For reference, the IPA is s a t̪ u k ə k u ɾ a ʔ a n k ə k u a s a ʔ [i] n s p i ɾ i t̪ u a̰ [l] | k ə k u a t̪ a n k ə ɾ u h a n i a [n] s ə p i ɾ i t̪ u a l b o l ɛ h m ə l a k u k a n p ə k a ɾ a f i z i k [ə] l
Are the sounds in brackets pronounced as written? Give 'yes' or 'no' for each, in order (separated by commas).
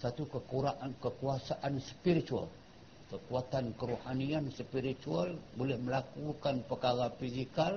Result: no, yes, yes, no